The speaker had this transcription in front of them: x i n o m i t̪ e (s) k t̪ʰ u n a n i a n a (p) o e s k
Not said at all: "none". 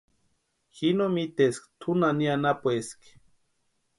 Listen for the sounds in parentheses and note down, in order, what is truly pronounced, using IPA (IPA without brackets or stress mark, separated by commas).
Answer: s, p